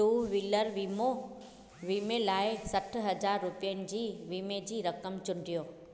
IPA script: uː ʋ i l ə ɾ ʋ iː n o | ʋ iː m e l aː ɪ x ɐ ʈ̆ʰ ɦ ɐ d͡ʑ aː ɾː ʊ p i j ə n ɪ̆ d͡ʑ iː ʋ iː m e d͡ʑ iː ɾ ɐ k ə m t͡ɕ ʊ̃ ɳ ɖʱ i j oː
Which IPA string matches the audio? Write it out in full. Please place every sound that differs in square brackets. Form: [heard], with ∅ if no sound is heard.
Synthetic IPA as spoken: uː ʋ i l ə ɾ ʋ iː [m] o | ʋ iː m e l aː ɪ [s] ɐ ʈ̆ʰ ɦ ɐ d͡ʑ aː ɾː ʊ p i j ə n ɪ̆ d͡ʑ iː ʋ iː m e d͡ʑ iː ɾ ɐ k ə m t͡ɕ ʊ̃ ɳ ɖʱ i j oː